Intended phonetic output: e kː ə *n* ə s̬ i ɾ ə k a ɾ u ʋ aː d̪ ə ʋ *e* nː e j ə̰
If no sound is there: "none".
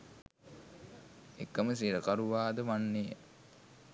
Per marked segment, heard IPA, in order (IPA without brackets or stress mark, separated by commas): m, a